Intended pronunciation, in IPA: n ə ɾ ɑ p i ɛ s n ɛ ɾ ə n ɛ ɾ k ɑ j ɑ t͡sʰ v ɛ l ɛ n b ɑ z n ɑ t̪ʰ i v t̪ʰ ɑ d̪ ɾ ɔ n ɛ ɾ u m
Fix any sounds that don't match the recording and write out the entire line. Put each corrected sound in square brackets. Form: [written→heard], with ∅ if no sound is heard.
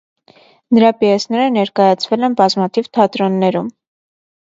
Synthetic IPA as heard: n ə ɾ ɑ p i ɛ s n ɛ ɾ ə n ɛ ɾ k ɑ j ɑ t͡sʰ v ɛ l ɛ n b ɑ z [n→m] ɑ t̪ʰ i v t̪ʰ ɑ [d̪→t̪] ɾ ɔ [n→nː] ɛ ɾ u m